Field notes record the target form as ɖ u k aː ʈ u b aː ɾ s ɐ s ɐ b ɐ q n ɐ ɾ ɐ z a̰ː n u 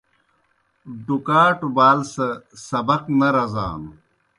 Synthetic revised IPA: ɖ u k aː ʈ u b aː l s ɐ s ɐ b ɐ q n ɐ ɾ ɐ z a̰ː n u